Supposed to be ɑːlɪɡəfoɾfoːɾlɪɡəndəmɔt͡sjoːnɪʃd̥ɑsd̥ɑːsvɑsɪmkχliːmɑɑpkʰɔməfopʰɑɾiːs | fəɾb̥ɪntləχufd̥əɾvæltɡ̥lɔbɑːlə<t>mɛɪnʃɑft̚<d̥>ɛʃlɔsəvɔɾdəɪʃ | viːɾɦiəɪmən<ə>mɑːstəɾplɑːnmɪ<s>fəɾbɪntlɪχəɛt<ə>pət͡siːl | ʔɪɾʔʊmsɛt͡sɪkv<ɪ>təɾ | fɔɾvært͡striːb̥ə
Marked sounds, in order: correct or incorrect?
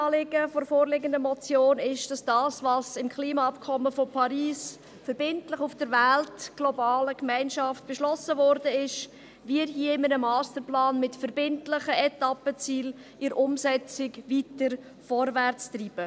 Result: incorrect: k, incorrect: b̥, correct, incorrect: t, incorrect: ɑ, incorrect: i

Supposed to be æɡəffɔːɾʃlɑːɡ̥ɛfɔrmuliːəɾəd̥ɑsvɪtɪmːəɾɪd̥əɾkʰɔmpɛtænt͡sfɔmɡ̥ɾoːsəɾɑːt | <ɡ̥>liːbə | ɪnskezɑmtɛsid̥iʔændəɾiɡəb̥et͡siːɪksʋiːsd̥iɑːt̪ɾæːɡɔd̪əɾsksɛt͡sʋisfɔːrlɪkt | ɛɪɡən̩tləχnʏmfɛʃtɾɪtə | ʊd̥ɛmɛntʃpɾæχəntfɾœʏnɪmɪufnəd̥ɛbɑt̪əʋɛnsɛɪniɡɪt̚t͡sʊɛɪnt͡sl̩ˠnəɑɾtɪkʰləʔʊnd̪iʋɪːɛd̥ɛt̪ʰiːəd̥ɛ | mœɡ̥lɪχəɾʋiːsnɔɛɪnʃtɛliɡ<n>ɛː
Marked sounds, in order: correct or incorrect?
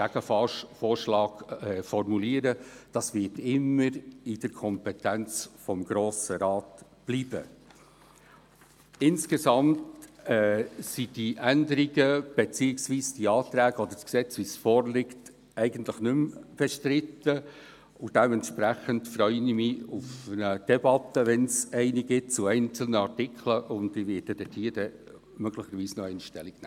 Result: incorrect: b̥, correct

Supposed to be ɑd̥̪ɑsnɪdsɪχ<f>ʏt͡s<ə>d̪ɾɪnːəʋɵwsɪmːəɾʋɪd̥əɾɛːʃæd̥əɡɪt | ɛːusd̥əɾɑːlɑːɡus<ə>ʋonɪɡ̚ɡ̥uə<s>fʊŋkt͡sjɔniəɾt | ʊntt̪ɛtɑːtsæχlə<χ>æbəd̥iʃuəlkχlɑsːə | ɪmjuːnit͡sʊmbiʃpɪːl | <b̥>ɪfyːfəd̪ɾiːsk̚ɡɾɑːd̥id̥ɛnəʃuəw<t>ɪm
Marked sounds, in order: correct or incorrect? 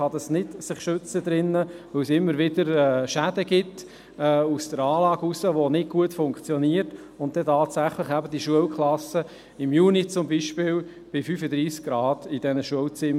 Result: incorrect: ʃ, correct, correct, incorrect: t, correct, correct, incorrect: t͡s

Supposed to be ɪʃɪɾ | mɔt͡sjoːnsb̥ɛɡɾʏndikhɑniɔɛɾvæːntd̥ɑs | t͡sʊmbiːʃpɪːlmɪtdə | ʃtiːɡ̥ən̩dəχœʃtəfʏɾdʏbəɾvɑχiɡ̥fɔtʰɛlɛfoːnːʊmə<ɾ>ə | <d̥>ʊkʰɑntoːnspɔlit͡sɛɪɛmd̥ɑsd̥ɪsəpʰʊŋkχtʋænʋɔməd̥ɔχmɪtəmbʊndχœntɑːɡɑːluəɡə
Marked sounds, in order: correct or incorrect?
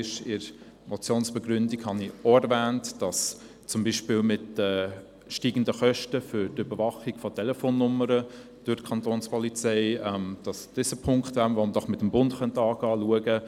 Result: correct, correct

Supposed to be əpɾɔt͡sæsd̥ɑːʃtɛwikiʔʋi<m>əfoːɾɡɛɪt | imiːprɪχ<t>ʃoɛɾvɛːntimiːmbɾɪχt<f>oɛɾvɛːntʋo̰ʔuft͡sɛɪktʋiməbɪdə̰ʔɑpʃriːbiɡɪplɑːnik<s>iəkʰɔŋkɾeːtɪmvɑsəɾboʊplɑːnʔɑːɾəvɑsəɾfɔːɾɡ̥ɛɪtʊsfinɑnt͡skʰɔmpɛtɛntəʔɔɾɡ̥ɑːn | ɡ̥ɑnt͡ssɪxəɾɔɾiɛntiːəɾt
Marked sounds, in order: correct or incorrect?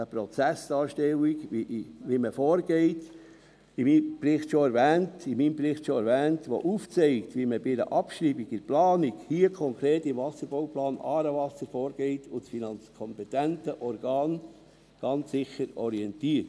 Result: correct, correct, incorrect: ʃ, incorrect: h

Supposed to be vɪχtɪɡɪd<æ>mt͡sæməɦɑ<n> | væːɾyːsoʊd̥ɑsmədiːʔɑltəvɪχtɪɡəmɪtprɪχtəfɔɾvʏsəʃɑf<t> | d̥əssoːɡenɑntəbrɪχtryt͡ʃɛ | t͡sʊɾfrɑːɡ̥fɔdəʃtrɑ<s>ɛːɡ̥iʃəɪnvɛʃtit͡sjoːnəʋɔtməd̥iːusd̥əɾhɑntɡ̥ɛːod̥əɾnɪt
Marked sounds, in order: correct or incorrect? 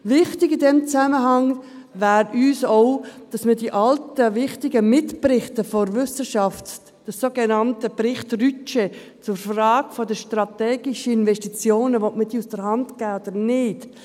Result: incorrect: ɛ, incorrect: ŋ, correct, incorrect: t

